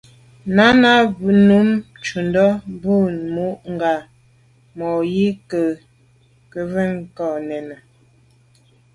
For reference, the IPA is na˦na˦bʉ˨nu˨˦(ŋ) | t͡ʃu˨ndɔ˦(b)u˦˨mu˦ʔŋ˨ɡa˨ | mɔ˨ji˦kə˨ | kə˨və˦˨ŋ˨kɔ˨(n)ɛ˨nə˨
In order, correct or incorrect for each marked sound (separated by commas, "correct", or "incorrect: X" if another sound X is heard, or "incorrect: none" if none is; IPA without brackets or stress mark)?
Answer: incorrect: m, correct, correct